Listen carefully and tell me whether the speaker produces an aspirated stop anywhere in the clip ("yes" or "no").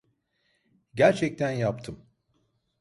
yes